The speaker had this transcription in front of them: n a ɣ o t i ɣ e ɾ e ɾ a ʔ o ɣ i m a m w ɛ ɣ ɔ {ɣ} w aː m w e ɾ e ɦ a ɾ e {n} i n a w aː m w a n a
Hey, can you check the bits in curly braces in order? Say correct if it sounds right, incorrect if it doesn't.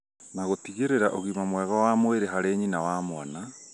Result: incorrect: none, incorrect: ɲ

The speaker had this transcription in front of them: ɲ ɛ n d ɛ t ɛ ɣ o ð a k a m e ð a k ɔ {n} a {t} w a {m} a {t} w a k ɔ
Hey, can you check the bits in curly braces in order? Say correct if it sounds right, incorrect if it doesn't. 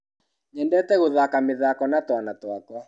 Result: correct, correct, incorrect: n, correct

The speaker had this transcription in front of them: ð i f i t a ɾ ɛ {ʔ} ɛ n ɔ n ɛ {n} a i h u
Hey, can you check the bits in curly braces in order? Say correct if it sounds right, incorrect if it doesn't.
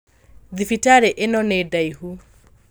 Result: correct, incorrect: d

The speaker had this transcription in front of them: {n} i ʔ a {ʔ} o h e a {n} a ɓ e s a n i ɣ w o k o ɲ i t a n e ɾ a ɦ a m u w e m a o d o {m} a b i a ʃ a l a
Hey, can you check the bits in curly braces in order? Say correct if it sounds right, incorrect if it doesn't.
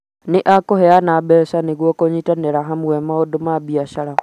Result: correct, incorrect: k, correct, correct

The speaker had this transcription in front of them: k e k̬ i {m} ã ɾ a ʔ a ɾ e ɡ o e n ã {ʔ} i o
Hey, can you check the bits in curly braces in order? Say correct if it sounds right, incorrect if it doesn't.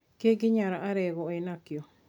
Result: incorrect: ɲ, incorrect: k

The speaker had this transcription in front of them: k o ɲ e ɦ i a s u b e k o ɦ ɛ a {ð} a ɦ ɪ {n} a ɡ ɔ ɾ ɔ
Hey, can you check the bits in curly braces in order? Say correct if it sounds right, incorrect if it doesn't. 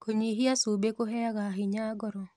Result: incorrect: ɣ, incorrect: ɲ

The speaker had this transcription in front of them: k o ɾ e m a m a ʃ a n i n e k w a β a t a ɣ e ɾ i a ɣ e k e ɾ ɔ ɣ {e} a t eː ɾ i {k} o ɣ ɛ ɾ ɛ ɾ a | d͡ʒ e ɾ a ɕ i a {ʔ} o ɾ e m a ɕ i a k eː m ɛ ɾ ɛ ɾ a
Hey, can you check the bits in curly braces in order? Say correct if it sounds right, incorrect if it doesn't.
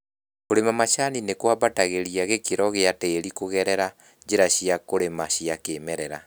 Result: correct, correct, incorrect: k

